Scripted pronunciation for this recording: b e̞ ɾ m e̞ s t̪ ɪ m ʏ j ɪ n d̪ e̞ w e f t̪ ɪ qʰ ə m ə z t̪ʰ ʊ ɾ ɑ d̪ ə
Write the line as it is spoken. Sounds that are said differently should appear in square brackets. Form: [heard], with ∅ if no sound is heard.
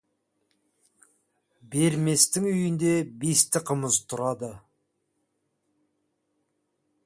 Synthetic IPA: b e̞ ɾ m e̞ s t̪ ɪ [ŋ] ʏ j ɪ n d̪ e̞ [b] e [s] t̪ ɪ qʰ ə m ə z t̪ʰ ʊ ɾ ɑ d̪ ə